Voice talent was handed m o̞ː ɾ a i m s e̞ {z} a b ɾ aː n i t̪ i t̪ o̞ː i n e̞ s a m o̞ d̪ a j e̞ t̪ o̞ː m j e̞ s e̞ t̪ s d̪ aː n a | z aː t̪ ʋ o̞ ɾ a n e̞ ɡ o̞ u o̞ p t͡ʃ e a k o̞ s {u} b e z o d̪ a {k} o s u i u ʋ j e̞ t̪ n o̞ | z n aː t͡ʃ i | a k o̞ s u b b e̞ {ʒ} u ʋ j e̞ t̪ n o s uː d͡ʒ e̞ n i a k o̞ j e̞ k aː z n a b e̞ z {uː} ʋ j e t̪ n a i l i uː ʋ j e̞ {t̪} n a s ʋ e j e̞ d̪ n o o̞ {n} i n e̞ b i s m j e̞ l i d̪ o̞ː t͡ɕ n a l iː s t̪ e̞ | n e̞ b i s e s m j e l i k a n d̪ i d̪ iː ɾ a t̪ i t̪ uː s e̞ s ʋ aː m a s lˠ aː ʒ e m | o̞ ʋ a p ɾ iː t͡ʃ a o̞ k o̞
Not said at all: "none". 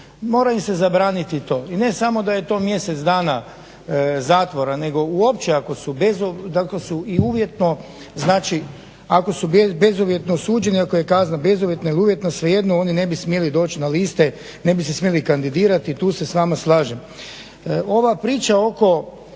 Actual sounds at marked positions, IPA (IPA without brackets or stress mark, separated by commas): z, u, k, z, u, t̪, n